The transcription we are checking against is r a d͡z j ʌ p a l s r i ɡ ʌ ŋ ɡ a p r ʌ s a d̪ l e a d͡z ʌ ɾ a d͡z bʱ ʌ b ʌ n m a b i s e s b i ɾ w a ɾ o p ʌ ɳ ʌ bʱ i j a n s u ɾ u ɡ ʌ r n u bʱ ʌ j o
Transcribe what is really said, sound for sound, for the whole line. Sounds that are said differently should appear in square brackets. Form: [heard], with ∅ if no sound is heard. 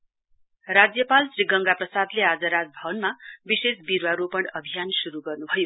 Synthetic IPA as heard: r a d͡z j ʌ p a l s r i ɡ ʌ ŋ ɡ a p r ʌ s a d̪ l e a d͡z ʌ ɾ a d͡z bʱ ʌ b ʌ n m a b i s e s b i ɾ w a ɾ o p ʌ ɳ ʌ bʱ i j a n s u ɾ u ɡ ʌ r n u bʱ ʌ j o